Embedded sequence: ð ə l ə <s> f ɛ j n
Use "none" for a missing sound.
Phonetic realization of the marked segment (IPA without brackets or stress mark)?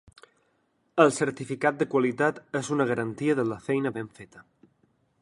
none